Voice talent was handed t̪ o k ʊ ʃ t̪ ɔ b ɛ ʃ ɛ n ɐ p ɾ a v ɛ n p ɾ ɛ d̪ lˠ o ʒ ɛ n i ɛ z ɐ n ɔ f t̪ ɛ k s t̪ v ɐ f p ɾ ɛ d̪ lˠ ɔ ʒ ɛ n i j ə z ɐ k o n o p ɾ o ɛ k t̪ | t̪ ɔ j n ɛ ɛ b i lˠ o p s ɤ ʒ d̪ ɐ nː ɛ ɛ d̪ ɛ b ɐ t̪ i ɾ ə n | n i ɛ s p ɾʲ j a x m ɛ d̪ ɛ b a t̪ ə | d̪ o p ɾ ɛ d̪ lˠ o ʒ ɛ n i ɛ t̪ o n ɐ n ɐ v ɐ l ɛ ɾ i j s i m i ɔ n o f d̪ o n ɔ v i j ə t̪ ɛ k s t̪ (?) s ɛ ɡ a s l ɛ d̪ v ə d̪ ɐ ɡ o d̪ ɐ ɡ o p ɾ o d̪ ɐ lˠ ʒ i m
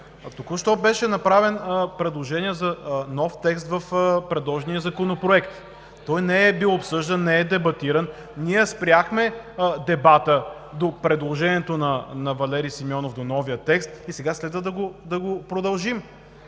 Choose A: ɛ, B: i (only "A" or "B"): B